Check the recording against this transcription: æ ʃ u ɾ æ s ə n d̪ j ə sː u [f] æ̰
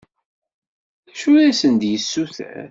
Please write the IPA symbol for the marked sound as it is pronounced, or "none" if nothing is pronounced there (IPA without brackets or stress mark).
θ